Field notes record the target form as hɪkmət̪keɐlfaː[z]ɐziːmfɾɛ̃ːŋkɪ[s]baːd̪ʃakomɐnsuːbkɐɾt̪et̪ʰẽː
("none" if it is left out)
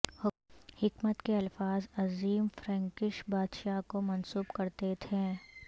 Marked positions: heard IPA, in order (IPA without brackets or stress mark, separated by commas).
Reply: z, ʃ